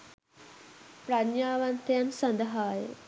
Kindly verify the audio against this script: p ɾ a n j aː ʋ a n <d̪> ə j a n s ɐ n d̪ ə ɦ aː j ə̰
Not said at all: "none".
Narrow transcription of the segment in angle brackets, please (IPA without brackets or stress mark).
t̪